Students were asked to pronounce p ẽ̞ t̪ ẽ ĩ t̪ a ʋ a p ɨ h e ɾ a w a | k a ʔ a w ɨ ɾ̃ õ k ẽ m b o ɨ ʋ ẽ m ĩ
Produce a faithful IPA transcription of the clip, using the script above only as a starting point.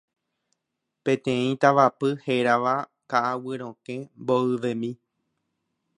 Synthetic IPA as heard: p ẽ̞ t̪ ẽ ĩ t̪ a ʋ a p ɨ h e ɾ a ʋ a | k a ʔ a w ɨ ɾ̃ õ k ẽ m b o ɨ ʋ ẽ m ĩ